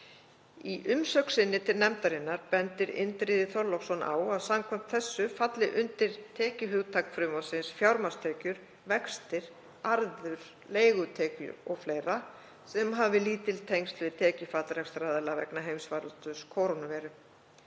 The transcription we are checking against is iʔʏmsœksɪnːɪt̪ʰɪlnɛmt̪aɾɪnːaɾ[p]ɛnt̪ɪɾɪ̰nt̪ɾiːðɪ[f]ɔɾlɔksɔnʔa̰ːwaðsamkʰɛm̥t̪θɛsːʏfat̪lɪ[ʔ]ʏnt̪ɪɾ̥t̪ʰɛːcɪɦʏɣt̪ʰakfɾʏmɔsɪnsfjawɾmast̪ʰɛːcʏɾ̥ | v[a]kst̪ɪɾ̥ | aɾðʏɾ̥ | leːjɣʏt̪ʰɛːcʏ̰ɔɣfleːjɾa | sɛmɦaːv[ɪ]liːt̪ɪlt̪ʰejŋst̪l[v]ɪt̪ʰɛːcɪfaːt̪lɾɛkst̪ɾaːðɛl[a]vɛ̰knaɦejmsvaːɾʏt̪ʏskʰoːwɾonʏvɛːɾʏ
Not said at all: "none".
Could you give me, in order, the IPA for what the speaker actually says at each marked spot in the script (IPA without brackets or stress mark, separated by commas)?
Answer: p, θ, ʔ, ɛ, ɪ, v, a